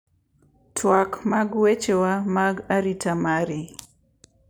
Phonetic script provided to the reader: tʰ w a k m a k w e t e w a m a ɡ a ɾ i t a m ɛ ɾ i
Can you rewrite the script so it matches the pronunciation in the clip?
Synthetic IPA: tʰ w a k m a ɡ w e t͡ʃ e w a m a ɡ a ɾ i t a m a ɾ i